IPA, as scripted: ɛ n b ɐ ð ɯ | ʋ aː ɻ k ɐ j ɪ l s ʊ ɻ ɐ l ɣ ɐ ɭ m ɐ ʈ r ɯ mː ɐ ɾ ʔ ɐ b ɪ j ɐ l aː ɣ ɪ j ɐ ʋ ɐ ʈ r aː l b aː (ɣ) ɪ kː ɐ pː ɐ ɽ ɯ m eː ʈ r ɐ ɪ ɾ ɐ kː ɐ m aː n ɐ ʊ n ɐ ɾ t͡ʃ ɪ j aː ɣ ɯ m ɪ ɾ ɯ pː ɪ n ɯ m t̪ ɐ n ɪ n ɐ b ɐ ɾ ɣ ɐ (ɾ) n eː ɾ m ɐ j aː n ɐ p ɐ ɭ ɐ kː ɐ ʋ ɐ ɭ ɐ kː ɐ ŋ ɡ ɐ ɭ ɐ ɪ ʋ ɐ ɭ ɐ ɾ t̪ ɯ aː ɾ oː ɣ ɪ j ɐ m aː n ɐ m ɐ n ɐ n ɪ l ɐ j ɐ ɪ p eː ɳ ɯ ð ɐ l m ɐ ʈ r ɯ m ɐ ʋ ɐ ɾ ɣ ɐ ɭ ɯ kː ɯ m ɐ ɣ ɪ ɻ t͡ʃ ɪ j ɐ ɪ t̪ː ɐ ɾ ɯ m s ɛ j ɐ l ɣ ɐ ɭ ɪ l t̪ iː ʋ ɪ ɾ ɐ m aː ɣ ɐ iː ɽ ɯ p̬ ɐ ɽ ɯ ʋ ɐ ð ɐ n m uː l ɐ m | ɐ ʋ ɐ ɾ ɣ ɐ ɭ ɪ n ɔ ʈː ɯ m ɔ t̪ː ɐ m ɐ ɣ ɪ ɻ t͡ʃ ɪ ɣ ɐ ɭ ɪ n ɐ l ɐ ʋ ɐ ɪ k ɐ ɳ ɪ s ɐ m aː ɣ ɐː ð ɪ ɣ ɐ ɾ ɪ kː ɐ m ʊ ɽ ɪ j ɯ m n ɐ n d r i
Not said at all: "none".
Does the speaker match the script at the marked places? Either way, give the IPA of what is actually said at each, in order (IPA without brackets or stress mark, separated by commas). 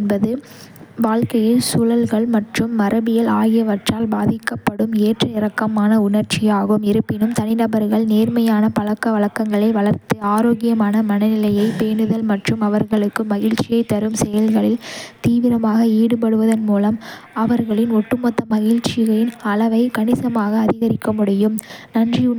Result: ð, ɭ